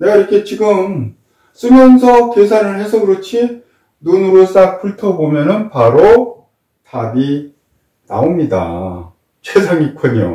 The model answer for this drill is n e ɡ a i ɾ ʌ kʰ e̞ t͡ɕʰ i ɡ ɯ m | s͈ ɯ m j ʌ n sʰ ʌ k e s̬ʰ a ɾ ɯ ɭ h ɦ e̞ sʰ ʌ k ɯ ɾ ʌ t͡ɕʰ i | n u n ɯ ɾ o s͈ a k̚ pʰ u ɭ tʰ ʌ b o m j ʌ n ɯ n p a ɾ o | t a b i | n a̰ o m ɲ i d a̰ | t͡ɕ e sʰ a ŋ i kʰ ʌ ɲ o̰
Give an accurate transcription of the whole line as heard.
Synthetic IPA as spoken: n e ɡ a i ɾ ʌ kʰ e̞ t͡ɕ i ɡ ɯ m | s͈ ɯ m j ʌ n sʰ ʌ k e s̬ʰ a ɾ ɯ ɭ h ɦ e̞ sʰ ʌ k ɯ ɾ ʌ t͡ɕʰ i | n u n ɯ ɾ o s͈ a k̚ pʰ u ɭ tʰ ʌ b o m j ʌ n ɯ n p a ɾ o | t a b i | n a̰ o m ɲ i d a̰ | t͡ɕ e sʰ a ŋ i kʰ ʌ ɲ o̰